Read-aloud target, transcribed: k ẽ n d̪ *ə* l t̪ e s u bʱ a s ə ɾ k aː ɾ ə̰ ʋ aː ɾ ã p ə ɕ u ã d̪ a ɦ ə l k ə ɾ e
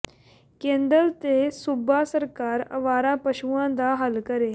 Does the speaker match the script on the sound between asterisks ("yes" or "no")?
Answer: yes